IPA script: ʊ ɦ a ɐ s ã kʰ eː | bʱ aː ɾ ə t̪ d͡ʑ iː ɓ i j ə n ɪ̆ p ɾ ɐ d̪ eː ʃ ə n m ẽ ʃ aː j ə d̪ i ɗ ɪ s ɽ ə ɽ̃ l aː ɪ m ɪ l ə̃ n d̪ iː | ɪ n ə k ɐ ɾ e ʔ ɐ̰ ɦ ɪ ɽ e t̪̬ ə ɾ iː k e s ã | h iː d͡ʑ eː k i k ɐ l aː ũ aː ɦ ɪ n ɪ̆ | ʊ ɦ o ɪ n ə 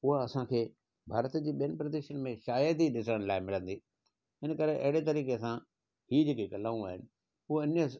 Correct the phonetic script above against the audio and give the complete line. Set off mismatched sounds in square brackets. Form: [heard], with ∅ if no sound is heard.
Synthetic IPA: ʊ ɦ a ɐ s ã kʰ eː | bʱ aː ɾ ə t̪ d͡ʑ iː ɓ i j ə n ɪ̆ p ɾ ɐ d̪ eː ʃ ə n m ẽ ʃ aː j ə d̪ i ɗ ɪ s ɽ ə ɽ̃ l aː ɪ m ɪ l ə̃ n d̪ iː | ɪ n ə k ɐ ɾ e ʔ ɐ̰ ɦ ɪ ɽ e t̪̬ [ɐ] ɾ iː k e s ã | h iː d͡ʑ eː k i k ɐ l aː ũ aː ɦ ɪ n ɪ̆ | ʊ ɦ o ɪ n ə